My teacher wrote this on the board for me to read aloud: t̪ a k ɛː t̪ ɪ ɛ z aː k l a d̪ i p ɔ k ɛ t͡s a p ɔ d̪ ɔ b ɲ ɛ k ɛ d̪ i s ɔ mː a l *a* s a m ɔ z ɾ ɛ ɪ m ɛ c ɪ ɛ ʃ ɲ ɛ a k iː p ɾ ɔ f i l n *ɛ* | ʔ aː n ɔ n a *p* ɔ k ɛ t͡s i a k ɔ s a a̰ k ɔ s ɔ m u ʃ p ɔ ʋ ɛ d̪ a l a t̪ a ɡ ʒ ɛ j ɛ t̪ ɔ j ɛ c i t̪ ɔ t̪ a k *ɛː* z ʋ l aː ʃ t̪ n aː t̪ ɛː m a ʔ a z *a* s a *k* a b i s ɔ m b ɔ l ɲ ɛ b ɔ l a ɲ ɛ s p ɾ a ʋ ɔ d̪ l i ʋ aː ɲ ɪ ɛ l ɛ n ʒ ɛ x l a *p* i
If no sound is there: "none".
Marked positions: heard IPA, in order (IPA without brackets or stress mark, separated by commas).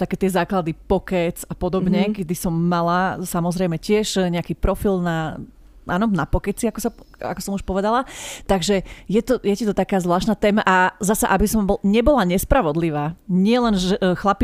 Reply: a, a, p, aː, a, ʔ, p